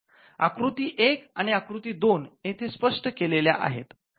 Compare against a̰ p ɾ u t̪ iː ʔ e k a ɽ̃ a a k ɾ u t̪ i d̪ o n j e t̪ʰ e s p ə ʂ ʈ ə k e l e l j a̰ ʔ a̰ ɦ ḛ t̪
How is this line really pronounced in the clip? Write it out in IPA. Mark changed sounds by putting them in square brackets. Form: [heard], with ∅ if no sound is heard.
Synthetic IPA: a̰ [k] ɾ u t̪ iː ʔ e k a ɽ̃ [i] a k ɾ u t̪ [iː] d̪ o n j e t̪ʰ e s p ə ʂ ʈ ə k e l e l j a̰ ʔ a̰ ɦ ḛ t̪